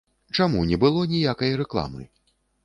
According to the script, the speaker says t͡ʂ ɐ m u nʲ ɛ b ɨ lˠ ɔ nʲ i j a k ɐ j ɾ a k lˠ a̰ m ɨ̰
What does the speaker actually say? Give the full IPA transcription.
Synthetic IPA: t͡ʂ a m u nʲ ɛ b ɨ lˠ ɔ nʲ i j a k ɐ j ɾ ɛ k lˠ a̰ m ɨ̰